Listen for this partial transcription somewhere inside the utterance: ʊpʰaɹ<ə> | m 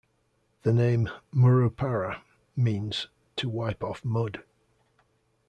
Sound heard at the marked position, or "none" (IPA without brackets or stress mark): ə